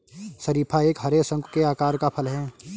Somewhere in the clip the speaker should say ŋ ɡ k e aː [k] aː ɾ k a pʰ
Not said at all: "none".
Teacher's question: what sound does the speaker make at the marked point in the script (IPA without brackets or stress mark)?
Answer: k